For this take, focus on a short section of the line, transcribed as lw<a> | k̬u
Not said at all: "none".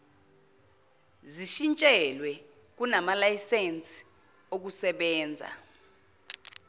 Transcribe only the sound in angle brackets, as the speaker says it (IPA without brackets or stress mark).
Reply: ɛ